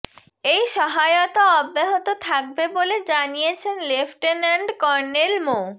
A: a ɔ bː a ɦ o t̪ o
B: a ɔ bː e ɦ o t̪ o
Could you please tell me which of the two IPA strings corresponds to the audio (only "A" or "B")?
B